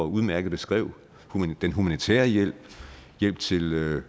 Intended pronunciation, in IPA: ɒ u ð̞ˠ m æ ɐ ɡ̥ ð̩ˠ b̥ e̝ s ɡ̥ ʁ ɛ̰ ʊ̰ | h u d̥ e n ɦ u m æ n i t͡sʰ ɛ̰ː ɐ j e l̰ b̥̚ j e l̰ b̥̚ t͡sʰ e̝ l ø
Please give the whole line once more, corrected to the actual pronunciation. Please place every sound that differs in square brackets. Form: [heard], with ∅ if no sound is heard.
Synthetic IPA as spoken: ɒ u ð̞ˠ m æ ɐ ɡ̥ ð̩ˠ b̥ e̝ s ɡ̥ ʁ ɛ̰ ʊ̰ | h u d̥ e n ɦ u m æ n i t͡sʰ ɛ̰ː ɐ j e l̰ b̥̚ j e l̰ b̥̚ t͡sʰ e̝ l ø